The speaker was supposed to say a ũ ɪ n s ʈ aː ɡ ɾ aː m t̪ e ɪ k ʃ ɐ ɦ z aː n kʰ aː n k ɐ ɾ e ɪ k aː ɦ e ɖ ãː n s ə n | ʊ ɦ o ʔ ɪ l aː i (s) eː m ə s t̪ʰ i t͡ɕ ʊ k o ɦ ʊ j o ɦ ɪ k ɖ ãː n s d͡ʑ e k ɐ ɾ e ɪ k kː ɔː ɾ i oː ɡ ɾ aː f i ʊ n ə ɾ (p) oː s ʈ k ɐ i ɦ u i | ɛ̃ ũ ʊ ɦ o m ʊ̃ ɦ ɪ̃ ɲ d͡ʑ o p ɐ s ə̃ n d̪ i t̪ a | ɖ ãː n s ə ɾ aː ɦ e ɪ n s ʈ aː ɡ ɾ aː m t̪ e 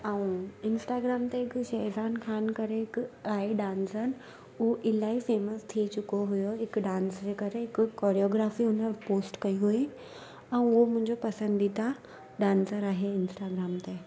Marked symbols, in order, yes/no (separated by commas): no, yes